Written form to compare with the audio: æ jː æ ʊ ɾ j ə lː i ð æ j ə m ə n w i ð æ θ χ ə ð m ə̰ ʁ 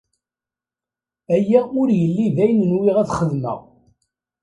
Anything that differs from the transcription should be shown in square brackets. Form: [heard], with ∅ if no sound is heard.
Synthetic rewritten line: æ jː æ ʊ ɾ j ə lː i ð æ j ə [n] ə n w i [ʁ] æ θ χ ə ð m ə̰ ʁ